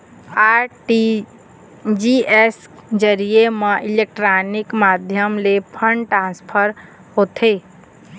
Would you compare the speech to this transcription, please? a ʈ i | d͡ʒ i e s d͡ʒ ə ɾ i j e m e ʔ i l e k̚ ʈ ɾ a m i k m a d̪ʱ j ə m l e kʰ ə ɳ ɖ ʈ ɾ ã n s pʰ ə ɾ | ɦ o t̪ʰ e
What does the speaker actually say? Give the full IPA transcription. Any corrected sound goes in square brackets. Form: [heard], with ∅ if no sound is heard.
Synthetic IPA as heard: a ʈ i | d͡ʒ i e s d͡ʒ ə ɾ i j e m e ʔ i l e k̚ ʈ ɾ a [n] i k m a d̪ʱ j ə m l e [pʰ] ə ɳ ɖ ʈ ɾ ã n s pʰ ə ɾ | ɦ o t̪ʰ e